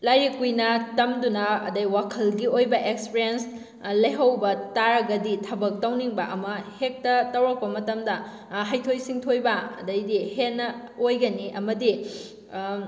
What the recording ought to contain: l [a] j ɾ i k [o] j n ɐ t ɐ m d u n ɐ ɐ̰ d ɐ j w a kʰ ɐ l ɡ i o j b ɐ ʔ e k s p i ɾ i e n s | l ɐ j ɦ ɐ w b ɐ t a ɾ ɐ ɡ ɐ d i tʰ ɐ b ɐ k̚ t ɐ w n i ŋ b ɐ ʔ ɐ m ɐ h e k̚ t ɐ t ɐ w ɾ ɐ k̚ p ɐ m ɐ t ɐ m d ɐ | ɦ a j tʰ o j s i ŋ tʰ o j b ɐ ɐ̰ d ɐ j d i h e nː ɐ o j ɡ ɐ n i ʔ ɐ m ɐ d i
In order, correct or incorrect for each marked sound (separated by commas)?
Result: correct, incorrect